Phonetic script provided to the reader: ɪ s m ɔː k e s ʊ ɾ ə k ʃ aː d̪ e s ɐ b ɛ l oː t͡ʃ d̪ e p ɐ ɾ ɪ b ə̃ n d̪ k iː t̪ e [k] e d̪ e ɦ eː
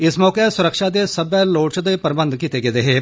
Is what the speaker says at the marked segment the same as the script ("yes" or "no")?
no